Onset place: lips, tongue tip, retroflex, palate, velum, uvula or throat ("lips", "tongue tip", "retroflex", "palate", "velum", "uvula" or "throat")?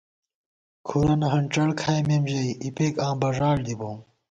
velum